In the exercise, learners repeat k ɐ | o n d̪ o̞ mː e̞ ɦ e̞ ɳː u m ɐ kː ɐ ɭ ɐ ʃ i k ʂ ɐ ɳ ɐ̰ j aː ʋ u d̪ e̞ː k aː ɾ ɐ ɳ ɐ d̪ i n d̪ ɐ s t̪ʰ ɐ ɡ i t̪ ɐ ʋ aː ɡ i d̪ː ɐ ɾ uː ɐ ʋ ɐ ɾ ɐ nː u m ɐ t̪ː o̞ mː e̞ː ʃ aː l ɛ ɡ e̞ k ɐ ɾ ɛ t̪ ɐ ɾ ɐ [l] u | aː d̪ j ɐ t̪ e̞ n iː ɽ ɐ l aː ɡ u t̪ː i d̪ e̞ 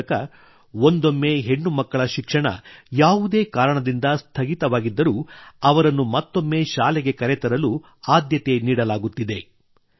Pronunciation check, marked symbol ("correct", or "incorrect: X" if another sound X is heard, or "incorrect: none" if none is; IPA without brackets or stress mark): correct